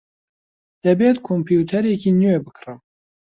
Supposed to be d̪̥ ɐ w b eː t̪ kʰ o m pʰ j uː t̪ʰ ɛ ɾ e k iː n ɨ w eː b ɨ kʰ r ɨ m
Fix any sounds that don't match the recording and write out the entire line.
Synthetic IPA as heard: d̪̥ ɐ b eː t̪ kʰ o m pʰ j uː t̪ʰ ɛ ɾ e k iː n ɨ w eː b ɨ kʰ r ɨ m